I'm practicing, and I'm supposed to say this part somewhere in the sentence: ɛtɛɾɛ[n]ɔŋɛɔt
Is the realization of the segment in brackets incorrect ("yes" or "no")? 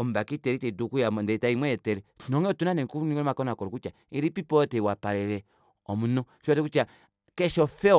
no